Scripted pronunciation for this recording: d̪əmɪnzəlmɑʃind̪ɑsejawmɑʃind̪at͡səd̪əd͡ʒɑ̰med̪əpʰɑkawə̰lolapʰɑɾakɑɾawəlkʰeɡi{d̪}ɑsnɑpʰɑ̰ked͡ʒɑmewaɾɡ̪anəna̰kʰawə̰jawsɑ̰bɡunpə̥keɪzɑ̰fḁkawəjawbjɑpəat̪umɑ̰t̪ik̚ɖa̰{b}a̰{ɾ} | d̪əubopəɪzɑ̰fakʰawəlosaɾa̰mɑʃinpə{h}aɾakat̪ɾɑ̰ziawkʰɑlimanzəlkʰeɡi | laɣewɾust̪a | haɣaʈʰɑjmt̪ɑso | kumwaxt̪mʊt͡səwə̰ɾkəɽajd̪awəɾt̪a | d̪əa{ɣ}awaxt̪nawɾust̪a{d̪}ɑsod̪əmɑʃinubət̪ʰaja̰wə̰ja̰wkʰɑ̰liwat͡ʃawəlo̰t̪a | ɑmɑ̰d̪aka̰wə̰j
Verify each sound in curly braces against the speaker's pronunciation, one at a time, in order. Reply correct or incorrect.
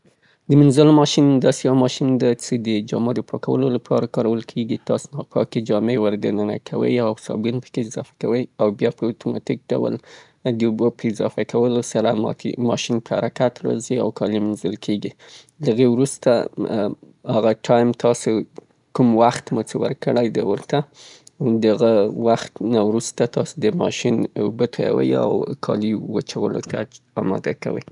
incorrect, incorrect, incorrect, correct, correct, incorrect

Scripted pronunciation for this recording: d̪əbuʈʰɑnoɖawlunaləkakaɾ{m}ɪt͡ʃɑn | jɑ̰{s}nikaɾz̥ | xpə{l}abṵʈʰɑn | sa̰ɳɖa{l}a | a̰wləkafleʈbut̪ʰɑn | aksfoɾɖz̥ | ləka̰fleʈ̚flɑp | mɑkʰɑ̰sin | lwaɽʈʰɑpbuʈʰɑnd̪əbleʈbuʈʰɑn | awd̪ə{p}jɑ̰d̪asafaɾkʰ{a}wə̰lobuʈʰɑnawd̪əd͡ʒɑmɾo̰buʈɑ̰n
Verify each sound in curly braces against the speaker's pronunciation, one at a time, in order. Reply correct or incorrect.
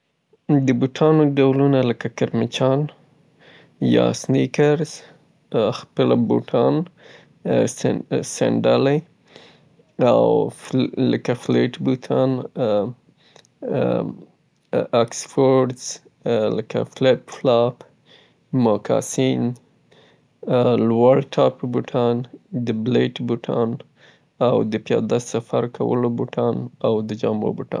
correct, correct, correct, correct, correct, correct

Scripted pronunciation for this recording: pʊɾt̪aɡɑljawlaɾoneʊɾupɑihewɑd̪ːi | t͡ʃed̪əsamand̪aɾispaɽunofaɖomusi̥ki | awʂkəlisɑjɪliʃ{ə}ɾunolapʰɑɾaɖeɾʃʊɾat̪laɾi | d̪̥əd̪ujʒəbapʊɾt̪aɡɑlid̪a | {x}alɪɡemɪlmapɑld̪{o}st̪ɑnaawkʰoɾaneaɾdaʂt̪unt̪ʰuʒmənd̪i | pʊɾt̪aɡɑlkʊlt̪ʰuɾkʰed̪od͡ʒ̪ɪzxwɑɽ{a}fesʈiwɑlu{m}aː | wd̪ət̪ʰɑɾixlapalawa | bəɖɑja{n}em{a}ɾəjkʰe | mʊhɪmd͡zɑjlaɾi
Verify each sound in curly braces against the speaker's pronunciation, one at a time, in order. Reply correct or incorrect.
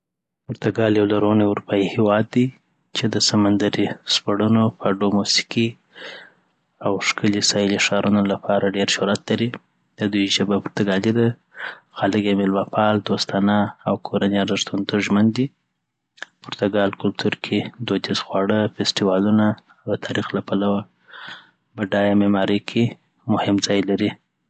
incorrect, correct, correct, incorrect, incorrect, incorrect, incorrect

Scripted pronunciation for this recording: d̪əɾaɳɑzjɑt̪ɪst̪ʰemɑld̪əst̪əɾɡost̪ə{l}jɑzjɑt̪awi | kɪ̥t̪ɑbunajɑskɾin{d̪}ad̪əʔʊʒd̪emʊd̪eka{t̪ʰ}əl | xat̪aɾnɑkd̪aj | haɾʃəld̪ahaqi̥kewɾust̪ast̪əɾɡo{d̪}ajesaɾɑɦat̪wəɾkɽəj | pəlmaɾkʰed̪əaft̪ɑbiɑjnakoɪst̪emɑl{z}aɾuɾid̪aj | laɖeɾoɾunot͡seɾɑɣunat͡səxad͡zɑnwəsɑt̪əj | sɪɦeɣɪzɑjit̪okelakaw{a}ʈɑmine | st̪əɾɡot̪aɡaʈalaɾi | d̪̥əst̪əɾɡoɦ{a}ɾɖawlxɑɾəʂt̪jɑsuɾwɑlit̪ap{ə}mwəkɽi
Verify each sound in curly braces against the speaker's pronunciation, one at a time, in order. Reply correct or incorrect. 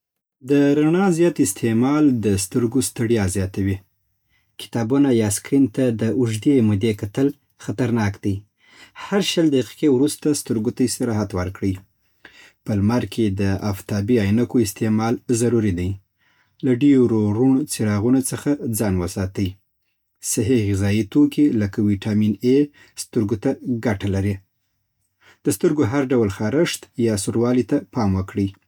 incorrect, incorrect, incorrect, incorrect, correct, incorrect, correct, incorrect

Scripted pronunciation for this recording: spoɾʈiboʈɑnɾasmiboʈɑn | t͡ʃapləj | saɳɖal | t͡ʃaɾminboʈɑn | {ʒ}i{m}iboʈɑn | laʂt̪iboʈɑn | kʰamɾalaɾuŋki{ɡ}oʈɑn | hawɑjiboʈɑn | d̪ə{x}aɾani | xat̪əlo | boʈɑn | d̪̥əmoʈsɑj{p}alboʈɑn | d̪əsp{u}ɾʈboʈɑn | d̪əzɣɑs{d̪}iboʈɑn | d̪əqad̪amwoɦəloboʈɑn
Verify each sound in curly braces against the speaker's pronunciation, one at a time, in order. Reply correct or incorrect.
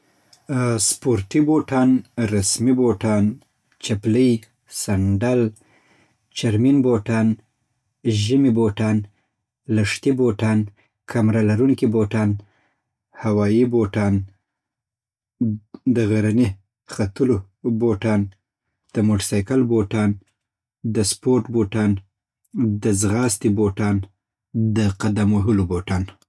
correct, correct, incorrect, incorrect, incorrect, incorrect, incorrect

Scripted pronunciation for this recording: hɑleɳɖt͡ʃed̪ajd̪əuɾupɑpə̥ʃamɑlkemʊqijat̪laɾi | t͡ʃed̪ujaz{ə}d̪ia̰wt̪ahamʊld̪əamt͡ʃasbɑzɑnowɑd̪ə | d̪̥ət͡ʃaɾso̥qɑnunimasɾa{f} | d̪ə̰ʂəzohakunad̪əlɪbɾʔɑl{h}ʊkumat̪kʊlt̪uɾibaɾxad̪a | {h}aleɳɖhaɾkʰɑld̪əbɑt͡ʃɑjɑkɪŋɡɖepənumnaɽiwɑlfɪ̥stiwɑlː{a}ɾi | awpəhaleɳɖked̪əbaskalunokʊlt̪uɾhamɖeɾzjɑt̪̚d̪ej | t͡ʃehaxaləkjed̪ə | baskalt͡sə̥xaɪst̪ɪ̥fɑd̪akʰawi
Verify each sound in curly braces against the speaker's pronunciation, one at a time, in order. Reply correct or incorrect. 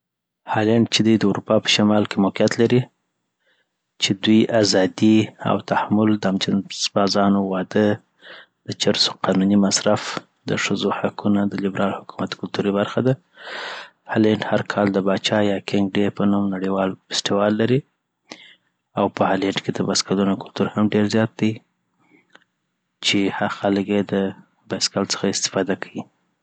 incorrect, correct, correct, correct, correct

